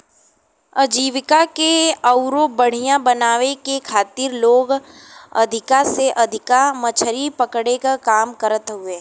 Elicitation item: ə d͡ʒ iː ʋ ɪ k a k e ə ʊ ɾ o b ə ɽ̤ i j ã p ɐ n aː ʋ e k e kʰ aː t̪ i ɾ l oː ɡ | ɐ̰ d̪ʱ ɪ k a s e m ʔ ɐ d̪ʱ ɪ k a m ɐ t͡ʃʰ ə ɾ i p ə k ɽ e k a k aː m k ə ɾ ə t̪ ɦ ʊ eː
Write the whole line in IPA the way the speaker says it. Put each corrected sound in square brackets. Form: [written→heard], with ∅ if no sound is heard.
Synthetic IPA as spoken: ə d͡ʒ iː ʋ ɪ k a k e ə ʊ ɾ o b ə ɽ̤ i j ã [p→b] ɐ n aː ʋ e k e kʰ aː t̪ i ɾ l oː ɡ | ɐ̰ d̪ʱ ɪ k a s e [m→∅] ʔ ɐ d̪ʱ ɪ k a m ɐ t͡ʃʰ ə ɾ i p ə k ɽ e k a k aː m k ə ɾ ə t̪ ɦ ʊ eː